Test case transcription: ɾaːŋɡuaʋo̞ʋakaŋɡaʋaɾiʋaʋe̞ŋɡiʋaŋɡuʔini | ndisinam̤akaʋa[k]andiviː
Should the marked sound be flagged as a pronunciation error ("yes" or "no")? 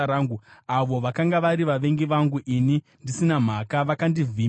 no